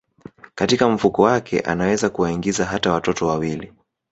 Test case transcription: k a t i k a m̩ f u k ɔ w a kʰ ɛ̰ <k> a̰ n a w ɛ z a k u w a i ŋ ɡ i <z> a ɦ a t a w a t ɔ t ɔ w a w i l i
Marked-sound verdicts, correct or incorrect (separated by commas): incorrect, correct